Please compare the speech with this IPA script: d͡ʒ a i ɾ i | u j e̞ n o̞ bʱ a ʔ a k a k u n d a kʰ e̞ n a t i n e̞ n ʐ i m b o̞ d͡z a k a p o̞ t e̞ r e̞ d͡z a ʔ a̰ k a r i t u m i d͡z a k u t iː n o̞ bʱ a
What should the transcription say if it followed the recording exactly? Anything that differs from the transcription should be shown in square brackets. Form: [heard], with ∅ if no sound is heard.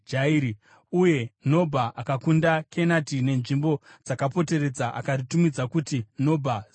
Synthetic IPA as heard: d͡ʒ a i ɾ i | u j e̞ n o̞ bʱ a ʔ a k a k u n d a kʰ e̞ n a t i n e̞ n ʐ i m b o̞ d͡z a k a p o̞ t e̞ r e̞ d͡z a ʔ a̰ k a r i t u m i d͡z a k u t [i] n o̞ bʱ a